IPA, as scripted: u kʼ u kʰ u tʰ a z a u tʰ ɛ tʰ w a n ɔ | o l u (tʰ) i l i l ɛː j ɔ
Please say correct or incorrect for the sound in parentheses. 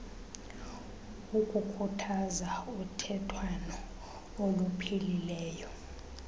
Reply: incorrect